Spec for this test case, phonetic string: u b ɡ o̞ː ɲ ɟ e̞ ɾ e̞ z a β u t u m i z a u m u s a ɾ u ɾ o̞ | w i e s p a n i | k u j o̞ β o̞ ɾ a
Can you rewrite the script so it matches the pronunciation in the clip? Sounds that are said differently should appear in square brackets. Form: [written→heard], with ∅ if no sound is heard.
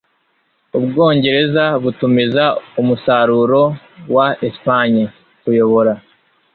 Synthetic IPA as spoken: u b ɡ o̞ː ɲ ɟ e̞ ɾ e̞ z a β u t u m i z a u m u s a ɾ u ɾ o̞ | w [i→a] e s p a [n→ɲ] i | k u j o̞ β o̞ ɾ a